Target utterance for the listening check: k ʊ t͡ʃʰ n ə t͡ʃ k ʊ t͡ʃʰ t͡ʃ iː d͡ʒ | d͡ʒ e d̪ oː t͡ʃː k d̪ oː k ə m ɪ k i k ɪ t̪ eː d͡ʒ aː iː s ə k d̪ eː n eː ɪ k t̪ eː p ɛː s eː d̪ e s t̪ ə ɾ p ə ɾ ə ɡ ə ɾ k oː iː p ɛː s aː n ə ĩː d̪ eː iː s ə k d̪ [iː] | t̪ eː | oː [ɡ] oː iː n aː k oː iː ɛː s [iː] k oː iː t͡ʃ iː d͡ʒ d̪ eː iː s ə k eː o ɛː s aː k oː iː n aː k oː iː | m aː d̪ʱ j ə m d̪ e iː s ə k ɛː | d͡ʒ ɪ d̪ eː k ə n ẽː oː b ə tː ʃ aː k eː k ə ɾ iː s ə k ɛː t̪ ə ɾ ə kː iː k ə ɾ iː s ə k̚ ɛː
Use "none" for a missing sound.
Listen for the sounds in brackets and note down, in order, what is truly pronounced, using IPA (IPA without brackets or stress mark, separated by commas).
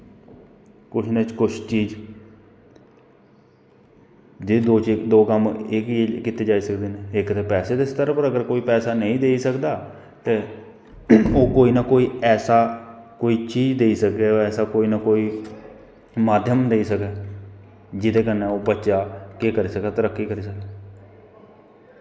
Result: aː, k, aː